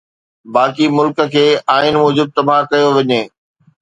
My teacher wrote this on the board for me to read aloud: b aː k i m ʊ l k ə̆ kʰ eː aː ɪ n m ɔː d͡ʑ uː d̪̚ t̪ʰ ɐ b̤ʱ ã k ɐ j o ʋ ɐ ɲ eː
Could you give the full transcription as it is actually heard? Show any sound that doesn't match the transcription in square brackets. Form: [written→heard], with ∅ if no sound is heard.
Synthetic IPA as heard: b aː k i m ʊ l k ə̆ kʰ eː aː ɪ n m ɔː d͡ʑ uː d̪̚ [t̪ʰ→t̪] ɐ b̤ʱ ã k ɐ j o ʋ ɐ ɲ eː